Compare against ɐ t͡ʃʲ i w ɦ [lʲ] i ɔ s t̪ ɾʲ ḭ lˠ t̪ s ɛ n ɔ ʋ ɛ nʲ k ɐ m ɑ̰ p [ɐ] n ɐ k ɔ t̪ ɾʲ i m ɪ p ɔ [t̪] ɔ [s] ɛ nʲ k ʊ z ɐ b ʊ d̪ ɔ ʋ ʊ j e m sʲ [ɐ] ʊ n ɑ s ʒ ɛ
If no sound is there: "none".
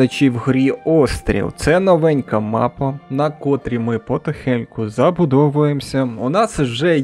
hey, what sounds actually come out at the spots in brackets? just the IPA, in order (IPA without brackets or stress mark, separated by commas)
ɾʲ, ɐ, t̪, x, ɐ